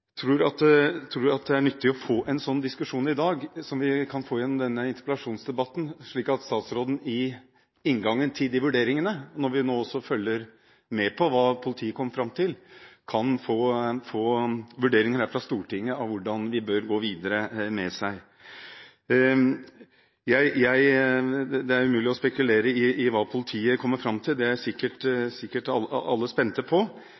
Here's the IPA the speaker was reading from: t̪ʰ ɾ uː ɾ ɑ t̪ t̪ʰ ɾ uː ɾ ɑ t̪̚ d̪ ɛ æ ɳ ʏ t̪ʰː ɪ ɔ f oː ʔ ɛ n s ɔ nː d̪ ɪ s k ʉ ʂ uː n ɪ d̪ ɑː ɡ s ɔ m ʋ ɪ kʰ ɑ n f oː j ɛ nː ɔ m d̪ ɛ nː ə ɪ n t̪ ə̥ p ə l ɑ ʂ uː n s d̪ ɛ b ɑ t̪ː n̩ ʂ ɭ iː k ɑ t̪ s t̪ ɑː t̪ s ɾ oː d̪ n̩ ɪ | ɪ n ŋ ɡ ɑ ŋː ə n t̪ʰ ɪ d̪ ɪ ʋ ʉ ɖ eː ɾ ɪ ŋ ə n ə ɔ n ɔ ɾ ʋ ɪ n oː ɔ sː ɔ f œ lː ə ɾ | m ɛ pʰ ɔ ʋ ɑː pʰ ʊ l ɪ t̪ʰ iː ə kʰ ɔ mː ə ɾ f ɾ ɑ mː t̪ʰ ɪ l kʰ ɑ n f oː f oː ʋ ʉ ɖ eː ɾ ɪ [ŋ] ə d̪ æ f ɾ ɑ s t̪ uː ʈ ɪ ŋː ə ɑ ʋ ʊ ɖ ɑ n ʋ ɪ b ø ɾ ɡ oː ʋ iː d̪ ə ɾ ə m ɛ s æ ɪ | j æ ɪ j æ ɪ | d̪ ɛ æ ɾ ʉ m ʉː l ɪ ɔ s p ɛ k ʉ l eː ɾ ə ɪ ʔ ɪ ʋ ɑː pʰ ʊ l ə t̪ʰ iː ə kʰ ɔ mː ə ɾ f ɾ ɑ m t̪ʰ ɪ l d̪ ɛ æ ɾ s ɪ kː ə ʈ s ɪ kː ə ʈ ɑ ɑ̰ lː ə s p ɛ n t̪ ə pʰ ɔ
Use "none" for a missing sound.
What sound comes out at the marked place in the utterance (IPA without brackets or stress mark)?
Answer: ŋ